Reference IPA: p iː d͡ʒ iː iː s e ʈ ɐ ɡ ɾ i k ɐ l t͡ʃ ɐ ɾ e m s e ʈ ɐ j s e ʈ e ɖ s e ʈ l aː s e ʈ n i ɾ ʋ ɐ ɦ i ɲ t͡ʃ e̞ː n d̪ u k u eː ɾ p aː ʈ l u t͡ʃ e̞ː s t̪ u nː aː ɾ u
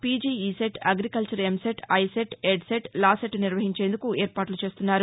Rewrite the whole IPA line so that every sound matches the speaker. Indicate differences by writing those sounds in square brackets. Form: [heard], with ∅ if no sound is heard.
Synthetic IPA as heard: p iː d͡ʒ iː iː s e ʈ ɐ ɡ ɾ i k ɐ l t͡ʃ ɐ ɾ e m s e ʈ ɐ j s e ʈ e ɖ s e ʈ l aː s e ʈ n i ɾ ʋ ɐ ɦ i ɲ t͡ʃ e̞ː n d̪ u k u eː ɾ p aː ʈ l u t͡ʃ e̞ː s t̪ u nː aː ɾ u